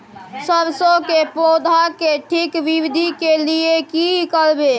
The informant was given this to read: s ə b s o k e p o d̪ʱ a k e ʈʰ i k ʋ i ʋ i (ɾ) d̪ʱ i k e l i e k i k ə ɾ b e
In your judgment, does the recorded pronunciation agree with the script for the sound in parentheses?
no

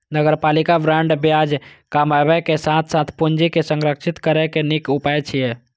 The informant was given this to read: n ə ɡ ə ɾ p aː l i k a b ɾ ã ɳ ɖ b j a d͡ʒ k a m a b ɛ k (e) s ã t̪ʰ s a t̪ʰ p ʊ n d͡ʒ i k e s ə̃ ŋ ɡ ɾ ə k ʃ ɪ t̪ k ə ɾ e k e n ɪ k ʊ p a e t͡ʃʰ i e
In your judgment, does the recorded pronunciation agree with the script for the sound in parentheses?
yes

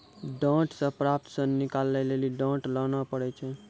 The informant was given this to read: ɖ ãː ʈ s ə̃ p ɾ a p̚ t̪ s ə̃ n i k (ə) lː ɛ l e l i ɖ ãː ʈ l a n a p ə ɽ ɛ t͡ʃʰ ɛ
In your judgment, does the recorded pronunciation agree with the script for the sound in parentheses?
no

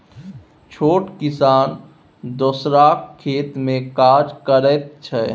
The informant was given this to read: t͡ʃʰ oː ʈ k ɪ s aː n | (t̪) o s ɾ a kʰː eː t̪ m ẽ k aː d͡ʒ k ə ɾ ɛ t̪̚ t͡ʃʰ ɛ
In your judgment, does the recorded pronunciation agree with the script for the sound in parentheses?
no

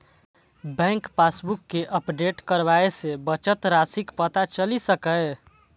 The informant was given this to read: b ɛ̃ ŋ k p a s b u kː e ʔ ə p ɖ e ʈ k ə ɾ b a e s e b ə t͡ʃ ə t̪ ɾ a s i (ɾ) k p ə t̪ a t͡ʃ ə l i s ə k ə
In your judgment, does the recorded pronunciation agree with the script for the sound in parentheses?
no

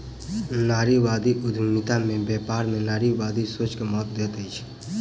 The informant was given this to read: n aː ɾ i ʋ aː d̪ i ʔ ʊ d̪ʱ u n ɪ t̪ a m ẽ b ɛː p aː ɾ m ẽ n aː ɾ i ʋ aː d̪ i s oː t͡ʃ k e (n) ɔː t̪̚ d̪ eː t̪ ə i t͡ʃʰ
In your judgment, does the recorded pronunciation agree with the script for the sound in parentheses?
no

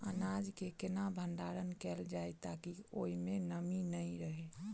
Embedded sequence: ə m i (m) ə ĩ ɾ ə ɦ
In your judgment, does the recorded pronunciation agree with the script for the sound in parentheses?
no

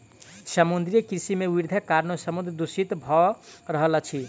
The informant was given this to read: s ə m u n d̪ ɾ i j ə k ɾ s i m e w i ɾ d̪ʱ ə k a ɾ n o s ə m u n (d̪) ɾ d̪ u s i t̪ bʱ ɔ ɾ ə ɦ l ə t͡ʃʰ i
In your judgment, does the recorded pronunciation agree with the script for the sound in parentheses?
yes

